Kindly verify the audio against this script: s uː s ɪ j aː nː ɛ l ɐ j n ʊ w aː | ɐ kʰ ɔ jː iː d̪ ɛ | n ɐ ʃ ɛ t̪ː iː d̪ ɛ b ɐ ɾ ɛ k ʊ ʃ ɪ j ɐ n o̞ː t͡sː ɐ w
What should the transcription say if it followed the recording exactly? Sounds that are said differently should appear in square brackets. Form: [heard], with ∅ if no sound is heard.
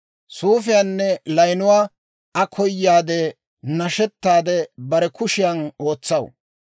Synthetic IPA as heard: s uː [f] ɪ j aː nː ɛ l ɐ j n ʊ w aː | ɐ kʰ ɔ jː [aː] d̪ ɛ | n ɐ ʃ ɛ t̪ː [aː] d̪ ɛ b ɐ ɾ ɛ k ʊ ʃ ɪ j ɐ n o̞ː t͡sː ɐ w